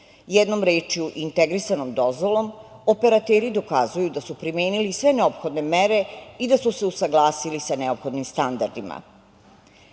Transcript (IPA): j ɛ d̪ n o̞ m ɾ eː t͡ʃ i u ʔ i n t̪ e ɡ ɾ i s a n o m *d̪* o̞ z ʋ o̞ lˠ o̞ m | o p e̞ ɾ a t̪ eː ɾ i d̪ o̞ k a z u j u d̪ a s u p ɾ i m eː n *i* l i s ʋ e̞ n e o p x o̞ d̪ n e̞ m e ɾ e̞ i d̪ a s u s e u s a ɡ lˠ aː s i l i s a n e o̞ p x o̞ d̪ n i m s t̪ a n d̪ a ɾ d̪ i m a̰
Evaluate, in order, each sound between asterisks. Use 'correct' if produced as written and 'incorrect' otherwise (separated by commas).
correct, correct